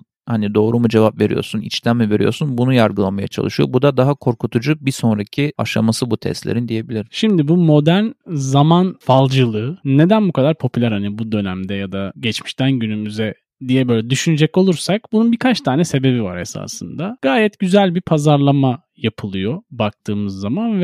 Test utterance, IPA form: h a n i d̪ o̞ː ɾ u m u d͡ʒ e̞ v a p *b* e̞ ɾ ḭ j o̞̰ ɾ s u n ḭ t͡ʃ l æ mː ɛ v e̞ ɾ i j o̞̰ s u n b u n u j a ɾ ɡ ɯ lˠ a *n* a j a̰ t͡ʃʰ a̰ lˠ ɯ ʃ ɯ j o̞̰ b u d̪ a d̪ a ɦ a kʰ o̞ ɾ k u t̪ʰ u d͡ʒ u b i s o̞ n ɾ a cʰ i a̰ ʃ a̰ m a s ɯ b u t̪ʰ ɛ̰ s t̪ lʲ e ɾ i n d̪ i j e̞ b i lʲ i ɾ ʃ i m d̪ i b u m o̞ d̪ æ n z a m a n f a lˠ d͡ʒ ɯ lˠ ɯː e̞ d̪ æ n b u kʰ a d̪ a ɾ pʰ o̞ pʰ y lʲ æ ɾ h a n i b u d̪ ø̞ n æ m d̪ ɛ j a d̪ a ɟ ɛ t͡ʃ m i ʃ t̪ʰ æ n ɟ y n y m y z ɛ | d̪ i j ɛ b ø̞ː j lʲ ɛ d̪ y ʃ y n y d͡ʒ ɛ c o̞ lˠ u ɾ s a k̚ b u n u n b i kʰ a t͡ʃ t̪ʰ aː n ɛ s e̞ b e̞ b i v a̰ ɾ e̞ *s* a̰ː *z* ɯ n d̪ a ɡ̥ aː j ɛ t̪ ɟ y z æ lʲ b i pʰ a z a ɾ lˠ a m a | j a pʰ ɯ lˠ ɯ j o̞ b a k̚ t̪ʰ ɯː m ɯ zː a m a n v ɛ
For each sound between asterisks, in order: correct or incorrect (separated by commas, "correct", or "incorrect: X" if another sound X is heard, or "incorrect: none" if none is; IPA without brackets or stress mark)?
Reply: incorrect: v, incorrect: m, correct, incorrect: s